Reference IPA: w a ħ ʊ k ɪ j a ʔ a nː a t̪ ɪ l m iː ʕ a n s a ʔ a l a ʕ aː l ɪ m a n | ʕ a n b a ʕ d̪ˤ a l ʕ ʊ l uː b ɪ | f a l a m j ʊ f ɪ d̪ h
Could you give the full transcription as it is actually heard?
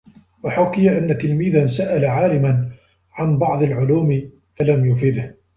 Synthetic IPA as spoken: w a ħ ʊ k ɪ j a ʔ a nː a t̪ ɪ l m iː ð a n s a ʔ a l a ʕ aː l ɪ m a n | ʕ a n b ɑ ʕ d̪ˤ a l ʕ ʊ l uː m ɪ | f a l a m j ʊ f ɪ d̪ h